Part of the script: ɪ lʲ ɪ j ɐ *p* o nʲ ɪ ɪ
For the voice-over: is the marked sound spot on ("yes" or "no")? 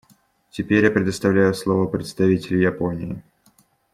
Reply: yes